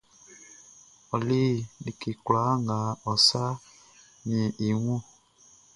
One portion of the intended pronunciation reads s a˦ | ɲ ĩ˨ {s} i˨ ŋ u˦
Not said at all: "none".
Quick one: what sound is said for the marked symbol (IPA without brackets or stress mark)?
none